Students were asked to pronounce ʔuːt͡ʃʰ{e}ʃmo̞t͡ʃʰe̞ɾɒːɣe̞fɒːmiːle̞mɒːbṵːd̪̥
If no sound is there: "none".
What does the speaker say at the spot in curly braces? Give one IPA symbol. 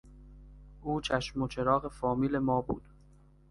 æ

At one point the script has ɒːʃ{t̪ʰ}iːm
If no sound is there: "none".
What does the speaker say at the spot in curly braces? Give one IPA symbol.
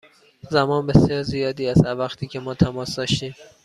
t̪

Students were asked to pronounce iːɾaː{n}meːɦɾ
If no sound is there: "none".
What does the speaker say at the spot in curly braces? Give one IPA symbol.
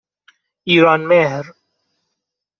n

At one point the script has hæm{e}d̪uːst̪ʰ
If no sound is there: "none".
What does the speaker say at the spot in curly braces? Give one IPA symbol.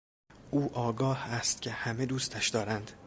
e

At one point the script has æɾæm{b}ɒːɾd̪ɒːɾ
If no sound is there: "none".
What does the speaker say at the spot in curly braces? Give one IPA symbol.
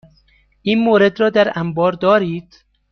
b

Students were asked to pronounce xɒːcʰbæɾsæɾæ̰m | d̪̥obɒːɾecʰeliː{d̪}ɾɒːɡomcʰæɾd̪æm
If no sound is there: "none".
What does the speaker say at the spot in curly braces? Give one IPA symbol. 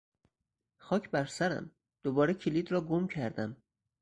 d̪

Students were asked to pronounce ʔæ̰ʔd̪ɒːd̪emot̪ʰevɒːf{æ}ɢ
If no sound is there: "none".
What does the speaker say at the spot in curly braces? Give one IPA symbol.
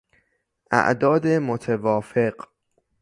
e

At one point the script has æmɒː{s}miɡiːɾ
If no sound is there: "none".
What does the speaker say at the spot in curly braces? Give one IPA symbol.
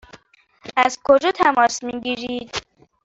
s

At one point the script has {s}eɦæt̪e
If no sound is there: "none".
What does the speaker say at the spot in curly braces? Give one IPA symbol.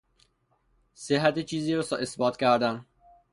s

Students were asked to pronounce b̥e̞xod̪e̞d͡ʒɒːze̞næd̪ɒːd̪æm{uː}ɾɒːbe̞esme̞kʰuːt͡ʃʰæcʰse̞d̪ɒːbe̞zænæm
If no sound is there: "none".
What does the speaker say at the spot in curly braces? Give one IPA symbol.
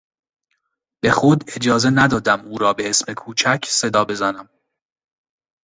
uː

